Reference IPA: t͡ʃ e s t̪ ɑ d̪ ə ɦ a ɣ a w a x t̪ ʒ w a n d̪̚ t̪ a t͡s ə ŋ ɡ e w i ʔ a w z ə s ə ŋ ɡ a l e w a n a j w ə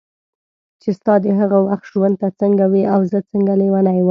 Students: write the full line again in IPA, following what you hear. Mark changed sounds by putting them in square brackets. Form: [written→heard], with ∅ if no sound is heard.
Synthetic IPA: t͡ʃ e s t̪ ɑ d̪ ə ɦ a ɣ a w a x t̪ ʒ w a n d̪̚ t̪ a t͡s ə ŋ ɡ [e→a] w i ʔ a w z ə [s→t͡s] ə ŋ ɡ a l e w a n a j w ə